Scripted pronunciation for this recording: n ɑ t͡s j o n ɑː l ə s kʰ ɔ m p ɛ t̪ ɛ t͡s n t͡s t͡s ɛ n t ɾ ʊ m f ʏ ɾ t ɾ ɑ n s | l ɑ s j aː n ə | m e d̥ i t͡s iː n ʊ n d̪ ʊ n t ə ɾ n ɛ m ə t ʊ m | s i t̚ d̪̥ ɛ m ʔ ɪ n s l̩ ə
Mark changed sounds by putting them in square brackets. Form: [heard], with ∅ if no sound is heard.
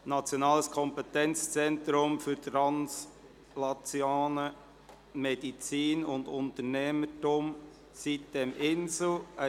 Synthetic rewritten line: n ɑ t͡s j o n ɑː l ə s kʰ ɔ m p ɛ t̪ ɛ [∅] n t͡s t͡s ɛ n t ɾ ʊ m f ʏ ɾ t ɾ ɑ n s | l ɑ [t͡s] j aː n ə | m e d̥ i t͡s iː n ʊ n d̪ ʊ n t ə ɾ n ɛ m ə t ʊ m | s i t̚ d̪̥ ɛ m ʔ ɪ n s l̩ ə